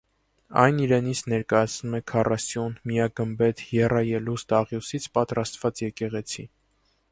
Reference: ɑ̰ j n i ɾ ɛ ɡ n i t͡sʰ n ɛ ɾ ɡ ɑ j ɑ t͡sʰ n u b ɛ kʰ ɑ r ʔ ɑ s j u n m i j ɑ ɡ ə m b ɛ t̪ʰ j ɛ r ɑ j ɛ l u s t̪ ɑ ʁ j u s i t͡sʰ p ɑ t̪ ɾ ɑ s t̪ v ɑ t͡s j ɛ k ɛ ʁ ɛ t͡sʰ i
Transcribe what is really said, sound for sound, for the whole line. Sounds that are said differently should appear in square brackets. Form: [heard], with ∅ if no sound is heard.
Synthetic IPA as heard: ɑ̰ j n i ɾ ɛ [∅] n i t͡sʰ n ɛ ɾ [k] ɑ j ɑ t͡sʰ n u [m] ɛ kʰ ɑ r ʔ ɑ s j u n m i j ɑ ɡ ə m b ɛ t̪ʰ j ɛ r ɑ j ɛ l u s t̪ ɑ ʁ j u s i t͡sʰ p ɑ t̪ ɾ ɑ s t̪ v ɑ t͡s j ɛ k ɛ ʁ ɛ t͡sʰ i